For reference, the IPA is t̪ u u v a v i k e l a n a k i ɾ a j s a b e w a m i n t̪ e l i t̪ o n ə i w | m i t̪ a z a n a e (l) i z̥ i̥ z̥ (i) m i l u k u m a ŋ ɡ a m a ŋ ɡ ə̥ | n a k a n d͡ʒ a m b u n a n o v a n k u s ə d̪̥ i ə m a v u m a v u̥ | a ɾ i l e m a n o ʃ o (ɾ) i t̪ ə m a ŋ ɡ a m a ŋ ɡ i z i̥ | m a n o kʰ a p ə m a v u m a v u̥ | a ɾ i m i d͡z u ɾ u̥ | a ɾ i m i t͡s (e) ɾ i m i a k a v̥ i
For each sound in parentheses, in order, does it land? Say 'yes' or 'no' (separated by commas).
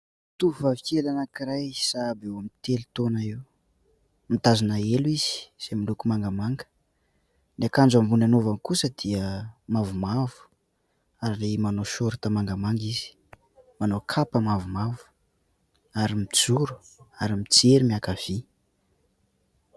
yes, no, yes, yes